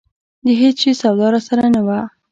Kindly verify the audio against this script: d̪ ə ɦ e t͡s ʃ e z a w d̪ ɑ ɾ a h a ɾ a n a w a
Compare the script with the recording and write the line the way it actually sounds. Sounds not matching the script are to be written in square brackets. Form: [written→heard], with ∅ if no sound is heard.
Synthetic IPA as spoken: d̪ ə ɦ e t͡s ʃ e [z→s] a w d̪ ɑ ɾ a [h→s] a ɾ a n a w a